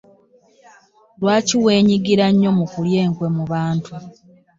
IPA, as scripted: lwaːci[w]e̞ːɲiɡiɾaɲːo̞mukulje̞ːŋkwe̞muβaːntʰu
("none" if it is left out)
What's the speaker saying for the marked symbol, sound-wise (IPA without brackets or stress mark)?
w